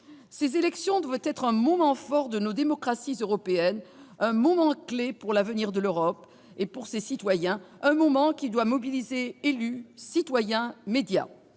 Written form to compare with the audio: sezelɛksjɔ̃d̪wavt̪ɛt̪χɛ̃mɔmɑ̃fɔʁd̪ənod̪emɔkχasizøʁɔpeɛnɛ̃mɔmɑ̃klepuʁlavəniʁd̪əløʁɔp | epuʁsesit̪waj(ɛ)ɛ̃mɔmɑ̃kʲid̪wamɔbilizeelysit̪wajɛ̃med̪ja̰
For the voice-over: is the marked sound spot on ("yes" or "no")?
no